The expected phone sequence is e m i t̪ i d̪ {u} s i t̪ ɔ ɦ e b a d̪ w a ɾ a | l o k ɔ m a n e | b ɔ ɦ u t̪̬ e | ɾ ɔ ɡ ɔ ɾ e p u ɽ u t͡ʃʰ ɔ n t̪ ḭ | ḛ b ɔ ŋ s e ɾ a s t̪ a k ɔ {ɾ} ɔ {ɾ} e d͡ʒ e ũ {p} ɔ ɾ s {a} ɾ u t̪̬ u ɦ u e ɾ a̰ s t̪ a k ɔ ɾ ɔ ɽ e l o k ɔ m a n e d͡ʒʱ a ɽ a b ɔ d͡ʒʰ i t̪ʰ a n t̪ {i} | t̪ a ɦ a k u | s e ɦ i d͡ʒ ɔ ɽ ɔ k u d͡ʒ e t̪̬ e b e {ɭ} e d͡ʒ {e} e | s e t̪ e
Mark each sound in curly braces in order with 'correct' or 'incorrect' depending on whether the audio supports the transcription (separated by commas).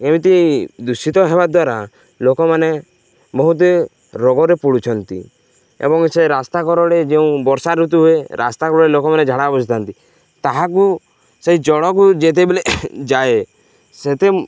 correct, correct, incorrect, incorrect, correct, correct, incorrect, incorrect